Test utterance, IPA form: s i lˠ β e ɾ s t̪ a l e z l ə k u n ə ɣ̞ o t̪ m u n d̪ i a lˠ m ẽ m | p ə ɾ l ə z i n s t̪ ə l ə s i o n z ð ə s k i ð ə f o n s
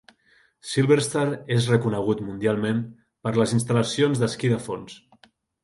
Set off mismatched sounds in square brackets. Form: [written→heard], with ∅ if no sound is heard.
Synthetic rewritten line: s i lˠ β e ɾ s t̪ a [l→ɾ] e z [l→r] ə k u n ə ɣ̞ [o→u] t̪ m u n d̪ i a lˠ m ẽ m | p ə ɾ l ə z i n s t̪ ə l ə s i o n z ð ə s k i ð ə f o n s